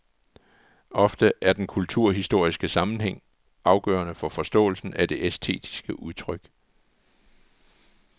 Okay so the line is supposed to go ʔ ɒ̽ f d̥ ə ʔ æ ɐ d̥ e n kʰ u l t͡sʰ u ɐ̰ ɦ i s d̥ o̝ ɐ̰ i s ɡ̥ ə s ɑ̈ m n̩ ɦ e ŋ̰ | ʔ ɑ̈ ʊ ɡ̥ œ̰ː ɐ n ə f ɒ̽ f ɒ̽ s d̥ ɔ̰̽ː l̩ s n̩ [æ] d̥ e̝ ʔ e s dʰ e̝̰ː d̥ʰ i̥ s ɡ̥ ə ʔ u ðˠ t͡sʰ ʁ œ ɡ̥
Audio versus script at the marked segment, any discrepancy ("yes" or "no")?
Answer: no